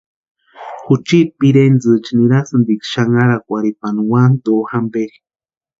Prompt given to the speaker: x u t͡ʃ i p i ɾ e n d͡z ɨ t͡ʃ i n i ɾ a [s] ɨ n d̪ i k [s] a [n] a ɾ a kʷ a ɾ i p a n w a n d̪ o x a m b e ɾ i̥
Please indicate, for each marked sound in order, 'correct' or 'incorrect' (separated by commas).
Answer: correct, incorrect, incorrect